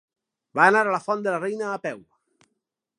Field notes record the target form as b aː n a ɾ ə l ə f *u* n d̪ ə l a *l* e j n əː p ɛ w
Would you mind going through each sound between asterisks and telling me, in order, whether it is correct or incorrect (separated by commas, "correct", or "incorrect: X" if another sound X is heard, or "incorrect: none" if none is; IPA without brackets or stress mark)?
incorrect: ɔ, incorrect: r